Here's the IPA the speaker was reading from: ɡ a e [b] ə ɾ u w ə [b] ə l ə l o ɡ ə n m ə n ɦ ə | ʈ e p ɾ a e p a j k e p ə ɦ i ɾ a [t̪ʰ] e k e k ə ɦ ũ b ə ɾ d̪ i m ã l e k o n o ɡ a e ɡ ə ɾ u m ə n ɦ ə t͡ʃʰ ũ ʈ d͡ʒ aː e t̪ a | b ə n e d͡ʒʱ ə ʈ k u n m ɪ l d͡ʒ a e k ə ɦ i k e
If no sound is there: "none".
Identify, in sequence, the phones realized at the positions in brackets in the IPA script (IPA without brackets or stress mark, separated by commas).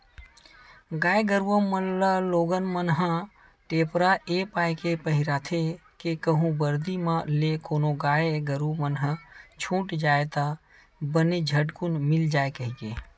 ɡ, m, t̪ʰ